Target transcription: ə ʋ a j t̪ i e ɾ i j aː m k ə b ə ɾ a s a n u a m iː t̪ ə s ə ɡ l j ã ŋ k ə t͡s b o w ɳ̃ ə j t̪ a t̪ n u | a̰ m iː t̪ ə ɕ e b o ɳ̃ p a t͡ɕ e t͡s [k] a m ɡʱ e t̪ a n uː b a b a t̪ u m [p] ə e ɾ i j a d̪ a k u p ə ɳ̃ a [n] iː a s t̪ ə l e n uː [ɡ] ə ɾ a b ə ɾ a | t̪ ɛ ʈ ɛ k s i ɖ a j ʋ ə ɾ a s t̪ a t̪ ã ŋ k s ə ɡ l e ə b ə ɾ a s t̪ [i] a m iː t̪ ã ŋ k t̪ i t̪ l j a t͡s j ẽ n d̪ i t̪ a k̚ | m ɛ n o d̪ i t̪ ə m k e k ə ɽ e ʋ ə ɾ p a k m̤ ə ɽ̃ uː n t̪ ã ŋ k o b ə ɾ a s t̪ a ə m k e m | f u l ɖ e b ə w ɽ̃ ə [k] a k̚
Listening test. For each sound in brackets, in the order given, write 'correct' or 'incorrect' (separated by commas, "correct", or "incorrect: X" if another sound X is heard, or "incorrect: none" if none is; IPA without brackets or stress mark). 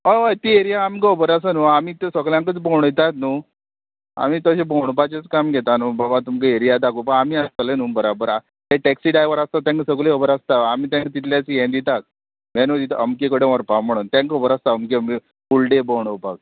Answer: correct, incorrect: k, incorrect: m, incorrect: b, incorrect: a, incorrect: p